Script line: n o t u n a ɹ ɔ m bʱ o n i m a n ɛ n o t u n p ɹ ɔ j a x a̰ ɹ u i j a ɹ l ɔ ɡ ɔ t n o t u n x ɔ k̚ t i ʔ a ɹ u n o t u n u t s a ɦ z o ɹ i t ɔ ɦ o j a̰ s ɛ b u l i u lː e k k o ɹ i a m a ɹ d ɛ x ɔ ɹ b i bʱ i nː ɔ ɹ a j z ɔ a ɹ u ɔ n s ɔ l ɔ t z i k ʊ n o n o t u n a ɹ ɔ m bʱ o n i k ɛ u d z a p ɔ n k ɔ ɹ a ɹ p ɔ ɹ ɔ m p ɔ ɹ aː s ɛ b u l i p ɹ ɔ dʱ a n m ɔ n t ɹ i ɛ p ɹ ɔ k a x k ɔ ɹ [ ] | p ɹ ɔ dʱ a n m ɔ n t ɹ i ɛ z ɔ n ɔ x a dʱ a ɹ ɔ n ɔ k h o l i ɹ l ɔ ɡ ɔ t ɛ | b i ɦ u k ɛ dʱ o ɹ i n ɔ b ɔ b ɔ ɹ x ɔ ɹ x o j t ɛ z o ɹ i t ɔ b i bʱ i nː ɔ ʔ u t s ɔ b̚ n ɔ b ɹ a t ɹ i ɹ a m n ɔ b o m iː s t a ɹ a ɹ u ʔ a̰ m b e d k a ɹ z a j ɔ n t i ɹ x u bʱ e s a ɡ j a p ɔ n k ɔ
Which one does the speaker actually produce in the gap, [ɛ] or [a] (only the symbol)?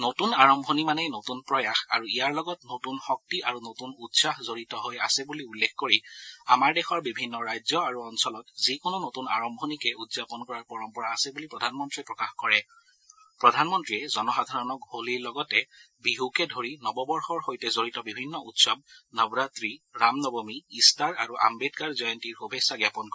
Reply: ɛ